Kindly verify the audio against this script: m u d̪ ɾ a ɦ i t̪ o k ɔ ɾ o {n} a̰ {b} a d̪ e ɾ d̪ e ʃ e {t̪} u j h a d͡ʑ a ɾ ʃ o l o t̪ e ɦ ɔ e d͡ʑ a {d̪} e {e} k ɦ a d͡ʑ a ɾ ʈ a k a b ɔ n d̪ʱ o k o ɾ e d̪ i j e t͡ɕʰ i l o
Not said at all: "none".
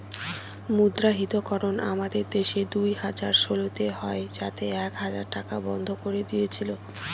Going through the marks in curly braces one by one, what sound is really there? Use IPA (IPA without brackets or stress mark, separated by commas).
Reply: n, m, d̪, t̪, ɛ